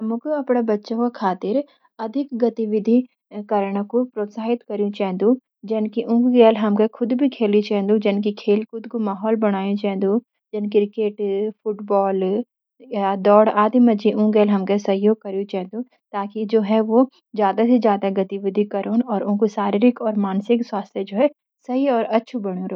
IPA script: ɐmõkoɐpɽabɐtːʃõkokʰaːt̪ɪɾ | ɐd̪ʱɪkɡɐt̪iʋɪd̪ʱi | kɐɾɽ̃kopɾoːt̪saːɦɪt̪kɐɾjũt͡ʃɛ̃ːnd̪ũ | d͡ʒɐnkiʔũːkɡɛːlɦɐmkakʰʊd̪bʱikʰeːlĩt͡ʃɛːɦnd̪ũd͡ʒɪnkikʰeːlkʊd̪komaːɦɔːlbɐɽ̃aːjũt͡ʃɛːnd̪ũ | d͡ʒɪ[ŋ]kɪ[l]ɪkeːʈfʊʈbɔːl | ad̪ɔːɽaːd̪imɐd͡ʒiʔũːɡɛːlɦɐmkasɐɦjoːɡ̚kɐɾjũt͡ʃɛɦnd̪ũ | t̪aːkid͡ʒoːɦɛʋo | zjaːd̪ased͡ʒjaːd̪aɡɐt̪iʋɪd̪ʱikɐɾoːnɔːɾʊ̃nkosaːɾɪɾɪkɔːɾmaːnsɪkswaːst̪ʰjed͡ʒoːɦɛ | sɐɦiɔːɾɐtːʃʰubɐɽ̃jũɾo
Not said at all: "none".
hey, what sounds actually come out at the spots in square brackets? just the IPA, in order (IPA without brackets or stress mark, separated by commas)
n, ɾ